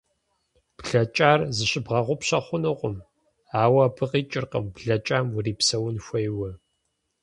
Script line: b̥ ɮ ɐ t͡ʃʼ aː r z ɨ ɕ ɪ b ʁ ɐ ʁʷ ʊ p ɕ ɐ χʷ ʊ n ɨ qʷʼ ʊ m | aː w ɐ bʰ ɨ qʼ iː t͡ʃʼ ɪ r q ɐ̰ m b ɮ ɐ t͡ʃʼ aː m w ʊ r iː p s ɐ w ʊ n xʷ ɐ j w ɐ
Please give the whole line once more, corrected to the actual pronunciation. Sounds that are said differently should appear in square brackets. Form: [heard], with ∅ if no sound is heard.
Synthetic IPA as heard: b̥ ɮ ɐ t͡ʃʼ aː r z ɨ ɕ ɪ b ʁ ɐ ʁʷ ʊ p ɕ ɐ χʷ ʊ n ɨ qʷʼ ʊ m | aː w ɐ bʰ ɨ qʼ iː t͡ʃʼ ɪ r q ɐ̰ m b ɮ ɐ t͡ʃʼ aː m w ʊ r iː p s ɐ w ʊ n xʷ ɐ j w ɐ